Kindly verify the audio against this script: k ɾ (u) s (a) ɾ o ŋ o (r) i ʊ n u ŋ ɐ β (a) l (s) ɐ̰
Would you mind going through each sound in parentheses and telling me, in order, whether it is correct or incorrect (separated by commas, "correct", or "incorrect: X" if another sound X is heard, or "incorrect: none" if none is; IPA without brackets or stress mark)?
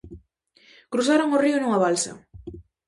correct, correct, correct, correct, correct